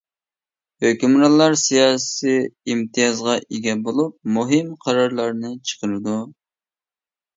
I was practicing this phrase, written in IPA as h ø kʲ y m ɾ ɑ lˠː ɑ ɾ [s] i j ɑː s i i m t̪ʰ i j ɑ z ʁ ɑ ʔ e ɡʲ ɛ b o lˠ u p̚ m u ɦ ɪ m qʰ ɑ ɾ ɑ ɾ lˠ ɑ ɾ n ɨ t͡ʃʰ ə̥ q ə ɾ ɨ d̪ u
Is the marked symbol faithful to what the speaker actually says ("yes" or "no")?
yes